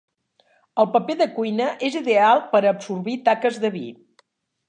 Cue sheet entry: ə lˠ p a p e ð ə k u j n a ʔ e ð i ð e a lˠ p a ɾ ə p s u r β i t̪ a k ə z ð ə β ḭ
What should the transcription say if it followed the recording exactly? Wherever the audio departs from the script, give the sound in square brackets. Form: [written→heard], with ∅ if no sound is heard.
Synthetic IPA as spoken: ə lˠ p [a→ə] p e ð ə k u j n [a→ə] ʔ e [ð→z] i ð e a lˠ p [a→ə] ɾ ə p s u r β i t̪ a k ə z ð ə β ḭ